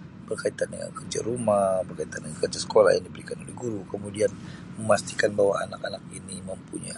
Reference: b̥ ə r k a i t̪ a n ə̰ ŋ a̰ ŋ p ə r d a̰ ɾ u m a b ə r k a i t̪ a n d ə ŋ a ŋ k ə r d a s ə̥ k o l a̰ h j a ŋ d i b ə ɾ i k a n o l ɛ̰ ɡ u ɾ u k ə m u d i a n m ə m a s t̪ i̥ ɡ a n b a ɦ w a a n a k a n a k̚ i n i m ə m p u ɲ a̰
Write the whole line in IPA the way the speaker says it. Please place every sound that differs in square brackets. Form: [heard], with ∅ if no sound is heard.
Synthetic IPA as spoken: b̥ ə r k a i t̪ a n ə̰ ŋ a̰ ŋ [k] ə r [d͡ʒ] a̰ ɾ u m a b ə r k a i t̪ a n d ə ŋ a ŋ k ə r [d͡ʒ] a s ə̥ k o l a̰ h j a ŋ d i b ə ɾ i k a n o l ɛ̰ ɡ u ɾ u k ə m u d i a n m ə m a s t̪ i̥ [k] a n b a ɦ w a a n a k a n a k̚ i n i m ə m p u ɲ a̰

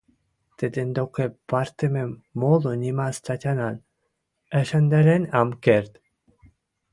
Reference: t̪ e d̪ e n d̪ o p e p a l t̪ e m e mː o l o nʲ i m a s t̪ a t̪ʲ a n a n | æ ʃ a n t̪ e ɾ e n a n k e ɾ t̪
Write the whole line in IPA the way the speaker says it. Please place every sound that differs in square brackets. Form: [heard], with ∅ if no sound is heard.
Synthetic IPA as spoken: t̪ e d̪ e n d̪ o [k] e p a [ɾ] t̪ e m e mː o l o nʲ i m a s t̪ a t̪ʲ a n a n | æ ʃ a n [d̪] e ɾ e n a [m] k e ɾ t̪

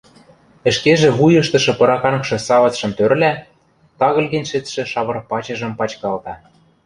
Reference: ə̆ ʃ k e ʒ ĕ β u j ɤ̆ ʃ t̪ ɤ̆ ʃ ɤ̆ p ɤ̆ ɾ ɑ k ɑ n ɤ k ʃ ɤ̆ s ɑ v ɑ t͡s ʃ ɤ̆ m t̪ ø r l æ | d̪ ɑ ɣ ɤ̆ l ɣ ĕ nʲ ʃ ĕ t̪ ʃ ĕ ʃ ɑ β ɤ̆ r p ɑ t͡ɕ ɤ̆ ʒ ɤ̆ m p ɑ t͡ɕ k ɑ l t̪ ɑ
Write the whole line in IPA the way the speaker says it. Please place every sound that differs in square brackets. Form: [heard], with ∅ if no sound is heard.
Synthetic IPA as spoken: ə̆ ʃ k e ʒ ĕ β u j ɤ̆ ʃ t̪ ɤ̆ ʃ ɤ̆ p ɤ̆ ɾ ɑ k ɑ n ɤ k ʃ ɤ̆ s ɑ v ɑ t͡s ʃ ɤ̆ m t̪ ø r l æ | [t̪] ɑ ɣ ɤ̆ l ɣ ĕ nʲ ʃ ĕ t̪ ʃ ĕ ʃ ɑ β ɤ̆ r p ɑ t͡ɕ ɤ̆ ʒ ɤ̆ m p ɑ t͡ɕ k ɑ l t̪ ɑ

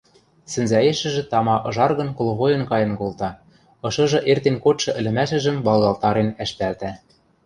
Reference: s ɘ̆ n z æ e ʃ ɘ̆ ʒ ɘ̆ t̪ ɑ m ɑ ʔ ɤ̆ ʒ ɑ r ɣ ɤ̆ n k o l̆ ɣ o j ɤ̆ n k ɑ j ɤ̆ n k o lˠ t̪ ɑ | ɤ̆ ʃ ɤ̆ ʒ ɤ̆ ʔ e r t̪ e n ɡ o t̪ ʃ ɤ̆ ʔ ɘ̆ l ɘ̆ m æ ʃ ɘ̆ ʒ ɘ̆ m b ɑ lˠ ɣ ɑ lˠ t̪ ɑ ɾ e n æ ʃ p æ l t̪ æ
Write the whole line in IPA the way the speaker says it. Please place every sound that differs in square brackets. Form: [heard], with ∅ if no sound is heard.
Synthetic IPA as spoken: s ɘ̆ n z æ e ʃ ɘ̆ ʒ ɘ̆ t̪ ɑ m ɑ ʔ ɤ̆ ʒ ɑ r ɣ ɤ̆ n k o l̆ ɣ o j ɤ̆ n k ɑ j ɤ̆ n k o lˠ t̪ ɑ | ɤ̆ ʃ ɤ̆ ʒ ɤ̆ ʔ e r t̪ e n [k] o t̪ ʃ ɤ̆ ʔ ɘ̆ l ɘ̆ m æ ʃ ɘ̆ ʒ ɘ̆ m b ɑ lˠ ɣ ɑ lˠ t̪ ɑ ɾ e n æ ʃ p æ l t̪ æ

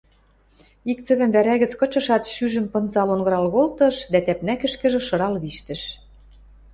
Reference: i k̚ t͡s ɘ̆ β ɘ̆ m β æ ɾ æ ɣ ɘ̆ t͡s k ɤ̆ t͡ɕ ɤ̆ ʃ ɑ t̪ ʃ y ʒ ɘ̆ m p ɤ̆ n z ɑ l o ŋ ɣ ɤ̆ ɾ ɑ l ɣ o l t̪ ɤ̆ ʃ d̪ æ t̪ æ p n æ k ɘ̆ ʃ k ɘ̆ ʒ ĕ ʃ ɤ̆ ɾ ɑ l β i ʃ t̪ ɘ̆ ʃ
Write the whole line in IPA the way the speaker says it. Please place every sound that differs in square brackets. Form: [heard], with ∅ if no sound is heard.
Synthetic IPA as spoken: i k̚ t͡s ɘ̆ β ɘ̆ m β æ ɾ æ ɣ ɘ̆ t͡s k ɤ̆ t͡ɕ ɤ̆ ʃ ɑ t̪ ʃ y ʒ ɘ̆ m p ɤ̆ n z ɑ l o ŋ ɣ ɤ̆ ɾ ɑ l ɣ o l t̪ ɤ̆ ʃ d̪ æ t̪ æ p n æ k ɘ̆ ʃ k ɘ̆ ʒ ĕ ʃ ɤ̆ ɾ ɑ l β i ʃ t̪ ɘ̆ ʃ

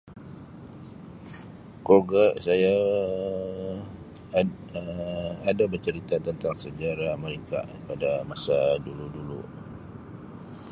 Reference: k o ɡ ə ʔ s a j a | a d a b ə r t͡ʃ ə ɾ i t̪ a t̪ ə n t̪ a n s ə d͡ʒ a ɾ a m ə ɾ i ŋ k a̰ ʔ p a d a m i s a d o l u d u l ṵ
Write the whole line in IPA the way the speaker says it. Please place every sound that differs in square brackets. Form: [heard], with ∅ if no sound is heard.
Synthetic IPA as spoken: k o ɡ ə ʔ s a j a | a d a b ə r t͡ʃ ə ɾ i t̪ a t̪ ə n t̪ a [ŋ] s ə d͡ʒ a ɾ a m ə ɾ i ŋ k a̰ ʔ p a d a m [a] s a d [u] l u d u l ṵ

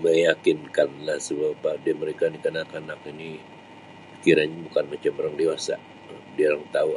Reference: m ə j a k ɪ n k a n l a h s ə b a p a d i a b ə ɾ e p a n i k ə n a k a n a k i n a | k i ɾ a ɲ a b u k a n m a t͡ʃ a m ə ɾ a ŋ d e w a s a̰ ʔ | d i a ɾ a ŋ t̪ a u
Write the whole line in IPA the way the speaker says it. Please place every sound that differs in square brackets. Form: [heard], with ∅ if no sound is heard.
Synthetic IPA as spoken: m ə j a k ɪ n k a n l a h s ə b a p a d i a [m] ə ɾ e [k] a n i k ə n a k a n a k i n [i] | k i ɾ a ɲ a b u k a n m a t͡ʃ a m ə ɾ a ŋ d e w a s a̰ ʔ | d i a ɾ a ŋ t̪ a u

